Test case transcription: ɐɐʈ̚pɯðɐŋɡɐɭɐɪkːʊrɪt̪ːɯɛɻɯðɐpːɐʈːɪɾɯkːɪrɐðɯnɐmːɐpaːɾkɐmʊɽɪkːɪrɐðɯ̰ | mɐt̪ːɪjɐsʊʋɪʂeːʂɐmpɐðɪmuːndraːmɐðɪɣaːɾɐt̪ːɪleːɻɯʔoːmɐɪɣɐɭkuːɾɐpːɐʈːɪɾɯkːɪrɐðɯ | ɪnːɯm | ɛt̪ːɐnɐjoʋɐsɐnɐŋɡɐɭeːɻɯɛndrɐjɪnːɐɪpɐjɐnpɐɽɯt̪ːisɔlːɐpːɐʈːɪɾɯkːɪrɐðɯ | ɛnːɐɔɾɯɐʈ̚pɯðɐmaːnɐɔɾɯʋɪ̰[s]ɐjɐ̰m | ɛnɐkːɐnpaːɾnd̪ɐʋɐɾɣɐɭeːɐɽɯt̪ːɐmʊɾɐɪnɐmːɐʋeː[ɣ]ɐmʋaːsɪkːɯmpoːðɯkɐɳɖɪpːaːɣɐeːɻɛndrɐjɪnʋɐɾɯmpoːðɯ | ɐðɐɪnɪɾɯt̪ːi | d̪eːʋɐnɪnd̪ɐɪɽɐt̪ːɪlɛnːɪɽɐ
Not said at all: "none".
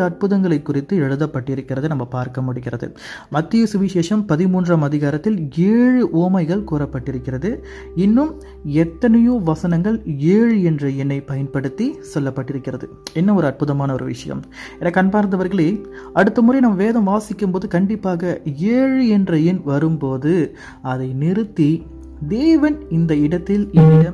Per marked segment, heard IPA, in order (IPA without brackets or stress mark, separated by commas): ʂ, ð